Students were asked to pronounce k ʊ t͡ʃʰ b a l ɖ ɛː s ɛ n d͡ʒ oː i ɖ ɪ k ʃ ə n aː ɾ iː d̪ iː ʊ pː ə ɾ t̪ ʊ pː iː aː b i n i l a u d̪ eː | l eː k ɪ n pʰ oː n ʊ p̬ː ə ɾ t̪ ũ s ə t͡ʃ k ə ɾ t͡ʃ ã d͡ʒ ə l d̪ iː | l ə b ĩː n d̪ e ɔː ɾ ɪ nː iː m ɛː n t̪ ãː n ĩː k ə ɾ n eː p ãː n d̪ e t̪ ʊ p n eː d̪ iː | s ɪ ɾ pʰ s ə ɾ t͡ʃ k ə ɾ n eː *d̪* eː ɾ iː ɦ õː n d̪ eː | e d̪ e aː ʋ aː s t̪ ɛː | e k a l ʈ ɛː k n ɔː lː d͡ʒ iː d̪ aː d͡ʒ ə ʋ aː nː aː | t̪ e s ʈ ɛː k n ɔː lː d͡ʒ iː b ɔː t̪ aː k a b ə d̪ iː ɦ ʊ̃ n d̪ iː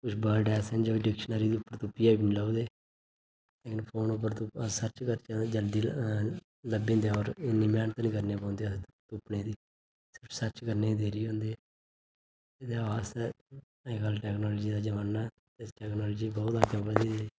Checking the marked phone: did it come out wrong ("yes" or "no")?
no